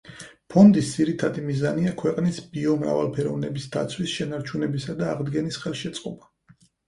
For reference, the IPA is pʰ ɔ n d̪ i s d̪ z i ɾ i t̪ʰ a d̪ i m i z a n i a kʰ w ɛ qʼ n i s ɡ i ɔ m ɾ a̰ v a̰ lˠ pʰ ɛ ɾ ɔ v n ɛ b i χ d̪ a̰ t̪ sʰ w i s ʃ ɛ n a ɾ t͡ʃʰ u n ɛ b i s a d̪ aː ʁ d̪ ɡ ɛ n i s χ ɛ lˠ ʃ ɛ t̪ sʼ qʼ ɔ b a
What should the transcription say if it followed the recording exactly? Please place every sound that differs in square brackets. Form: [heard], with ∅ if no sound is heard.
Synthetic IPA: pʰ ɔ n d̪ i s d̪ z i ɾ i t̪ʰ a d̪ i m i z a n i a kʰ w ɛ qʼ n i s [b] i ɔ m ɾ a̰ v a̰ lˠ pʰ ɛ ɾ ɔ v n ɛ b i [s] d̪ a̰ t̪ sʰ w i s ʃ ɛ n a ɾ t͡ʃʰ u n ɛ b i s a d̪ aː ʁ d̪ ɡ ɛ n i s χ ɛ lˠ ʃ ɛ t̪ sʼ qʼ ɔ b a